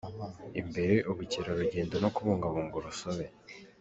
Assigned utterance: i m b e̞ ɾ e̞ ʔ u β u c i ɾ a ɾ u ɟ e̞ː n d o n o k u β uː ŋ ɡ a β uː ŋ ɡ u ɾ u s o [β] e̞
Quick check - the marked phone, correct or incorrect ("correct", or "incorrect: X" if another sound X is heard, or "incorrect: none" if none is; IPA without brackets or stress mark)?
correct